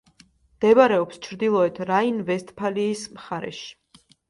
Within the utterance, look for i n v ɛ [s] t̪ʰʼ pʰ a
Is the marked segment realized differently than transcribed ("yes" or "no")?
no